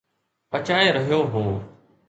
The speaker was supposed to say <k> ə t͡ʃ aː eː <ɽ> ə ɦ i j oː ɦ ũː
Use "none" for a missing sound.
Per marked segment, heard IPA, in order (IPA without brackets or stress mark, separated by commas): p, ɾ